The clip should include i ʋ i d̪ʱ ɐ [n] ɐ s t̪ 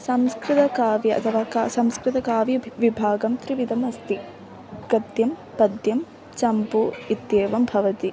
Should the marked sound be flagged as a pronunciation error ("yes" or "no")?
yes